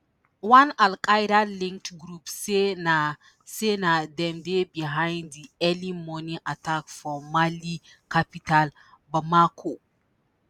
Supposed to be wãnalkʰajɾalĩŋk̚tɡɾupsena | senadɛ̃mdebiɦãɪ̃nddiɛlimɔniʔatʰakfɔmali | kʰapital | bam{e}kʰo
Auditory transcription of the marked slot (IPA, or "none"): a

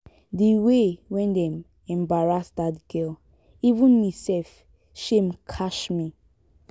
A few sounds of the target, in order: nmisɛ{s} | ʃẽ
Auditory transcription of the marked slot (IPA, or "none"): f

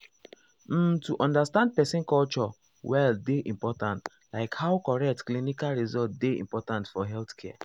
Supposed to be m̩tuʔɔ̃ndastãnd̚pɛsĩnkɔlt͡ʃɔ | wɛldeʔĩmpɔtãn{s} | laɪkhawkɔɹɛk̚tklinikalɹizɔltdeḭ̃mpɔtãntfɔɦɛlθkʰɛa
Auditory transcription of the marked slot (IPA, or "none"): t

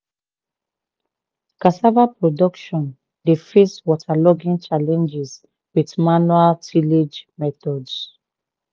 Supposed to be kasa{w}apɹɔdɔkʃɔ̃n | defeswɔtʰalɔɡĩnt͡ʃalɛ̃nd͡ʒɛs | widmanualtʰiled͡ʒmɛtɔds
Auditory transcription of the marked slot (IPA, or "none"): v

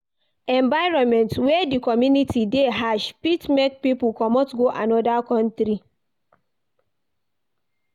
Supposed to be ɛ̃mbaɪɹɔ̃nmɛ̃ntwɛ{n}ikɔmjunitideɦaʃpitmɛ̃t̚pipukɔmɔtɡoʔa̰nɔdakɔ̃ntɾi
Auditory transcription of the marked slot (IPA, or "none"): d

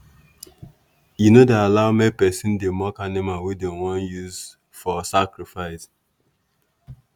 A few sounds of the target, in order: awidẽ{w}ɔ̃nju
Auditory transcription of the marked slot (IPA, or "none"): w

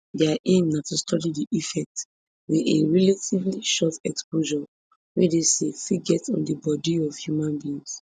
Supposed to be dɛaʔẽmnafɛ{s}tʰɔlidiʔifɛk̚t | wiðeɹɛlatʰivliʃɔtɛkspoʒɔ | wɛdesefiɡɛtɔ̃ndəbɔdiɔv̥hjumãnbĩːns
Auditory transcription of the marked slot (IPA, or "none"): s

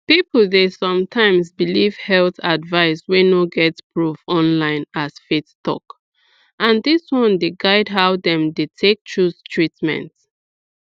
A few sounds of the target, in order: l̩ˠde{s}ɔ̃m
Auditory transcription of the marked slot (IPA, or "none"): s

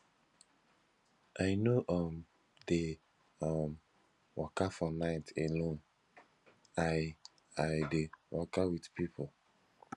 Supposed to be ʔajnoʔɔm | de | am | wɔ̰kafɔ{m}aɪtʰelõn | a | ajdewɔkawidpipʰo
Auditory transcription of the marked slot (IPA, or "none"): n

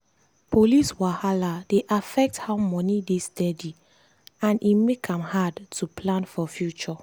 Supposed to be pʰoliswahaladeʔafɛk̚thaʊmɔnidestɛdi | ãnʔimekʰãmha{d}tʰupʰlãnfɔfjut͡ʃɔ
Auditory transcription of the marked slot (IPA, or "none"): d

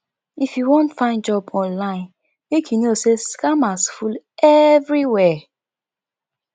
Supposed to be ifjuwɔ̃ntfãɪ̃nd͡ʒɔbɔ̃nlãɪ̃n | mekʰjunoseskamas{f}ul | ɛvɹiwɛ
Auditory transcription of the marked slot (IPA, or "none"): f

